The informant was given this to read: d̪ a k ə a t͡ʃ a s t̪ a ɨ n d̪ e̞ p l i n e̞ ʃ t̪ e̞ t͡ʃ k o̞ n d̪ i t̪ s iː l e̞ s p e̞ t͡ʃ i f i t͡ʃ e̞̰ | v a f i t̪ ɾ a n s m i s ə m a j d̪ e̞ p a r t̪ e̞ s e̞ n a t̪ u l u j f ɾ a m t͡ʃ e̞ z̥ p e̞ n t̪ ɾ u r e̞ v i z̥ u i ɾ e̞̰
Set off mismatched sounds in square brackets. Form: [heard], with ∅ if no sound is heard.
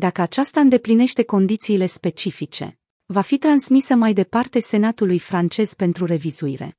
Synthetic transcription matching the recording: d̪ a k ə a t͡ʃ a s t̪ a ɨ n d̪ e̞ p l i n e̞ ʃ t̪ e̞ [∅] k o̞ n d̪ i t̪ s iː l e̞ s p e̞ t͡ʃ i f i t͡ʃ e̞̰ | v a f i t̪ ɾ a n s m i s ə m a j d̪ e̞ p a r t̪ e̞ s e̞ n a t̪ u l u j f ɾ a [n] t͡ʃ e̞ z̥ p e̞ n t̪ ɾ u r e̞ v i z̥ u i ɾ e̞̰